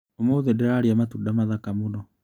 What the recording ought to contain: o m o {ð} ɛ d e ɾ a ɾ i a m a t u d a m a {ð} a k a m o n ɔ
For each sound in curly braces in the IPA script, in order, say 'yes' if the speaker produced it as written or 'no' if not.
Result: yes, yes

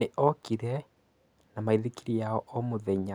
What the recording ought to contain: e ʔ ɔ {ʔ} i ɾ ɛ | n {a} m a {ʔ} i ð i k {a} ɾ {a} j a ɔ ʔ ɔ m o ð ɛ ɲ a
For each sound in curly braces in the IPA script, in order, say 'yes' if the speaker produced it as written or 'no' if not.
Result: no, yes, no, no, no

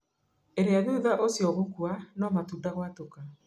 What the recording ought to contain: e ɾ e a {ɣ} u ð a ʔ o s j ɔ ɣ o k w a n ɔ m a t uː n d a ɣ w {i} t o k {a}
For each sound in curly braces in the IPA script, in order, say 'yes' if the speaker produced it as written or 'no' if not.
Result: no, no, yes

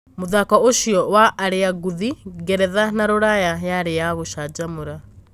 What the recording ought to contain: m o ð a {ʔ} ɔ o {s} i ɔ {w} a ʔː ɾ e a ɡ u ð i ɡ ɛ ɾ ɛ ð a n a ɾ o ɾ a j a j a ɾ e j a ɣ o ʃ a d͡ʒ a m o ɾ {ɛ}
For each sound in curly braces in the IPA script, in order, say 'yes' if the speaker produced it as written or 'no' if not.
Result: no, no, yes, no

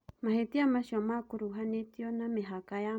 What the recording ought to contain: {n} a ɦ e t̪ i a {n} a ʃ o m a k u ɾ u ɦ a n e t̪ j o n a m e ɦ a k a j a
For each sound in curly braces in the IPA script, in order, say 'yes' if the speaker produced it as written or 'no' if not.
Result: no, no

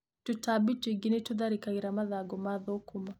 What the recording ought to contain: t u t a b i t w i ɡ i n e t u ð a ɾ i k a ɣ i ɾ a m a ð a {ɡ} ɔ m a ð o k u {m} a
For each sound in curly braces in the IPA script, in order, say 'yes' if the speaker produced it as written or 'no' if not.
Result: yes, yes

